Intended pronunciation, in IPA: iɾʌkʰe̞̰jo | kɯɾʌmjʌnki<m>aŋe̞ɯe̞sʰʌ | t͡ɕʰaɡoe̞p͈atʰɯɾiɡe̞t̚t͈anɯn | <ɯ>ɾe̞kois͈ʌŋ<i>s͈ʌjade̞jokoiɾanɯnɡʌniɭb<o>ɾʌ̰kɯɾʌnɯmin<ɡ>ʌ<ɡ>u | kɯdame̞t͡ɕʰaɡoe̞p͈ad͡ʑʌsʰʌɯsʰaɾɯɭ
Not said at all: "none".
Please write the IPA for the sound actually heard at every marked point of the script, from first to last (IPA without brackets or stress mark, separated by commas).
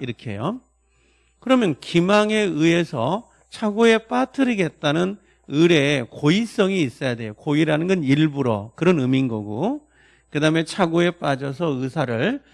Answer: m, ɯ, iː, u, ɡ, ɡ